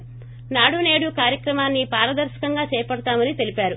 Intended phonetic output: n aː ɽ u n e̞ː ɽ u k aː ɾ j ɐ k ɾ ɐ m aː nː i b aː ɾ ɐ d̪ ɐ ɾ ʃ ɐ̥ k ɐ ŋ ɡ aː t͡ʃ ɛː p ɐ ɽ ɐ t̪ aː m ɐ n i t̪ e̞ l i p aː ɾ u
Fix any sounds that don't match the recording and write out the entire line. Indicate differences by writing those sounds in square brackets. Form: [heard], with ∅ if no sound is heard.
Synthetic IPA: n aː ɽ u n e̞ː ɽ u k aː ɾ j ɐ k ɾ ɐ m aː nː i [p] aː ɾ ɐ d̪ ɐ ɾ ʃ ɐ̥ k ɐ ŋ ɡ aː t͡ʃ ɛː p ɐ ɽ ɐ t̪ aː m ɐ n i t̪ e̞ l i p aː ɾ u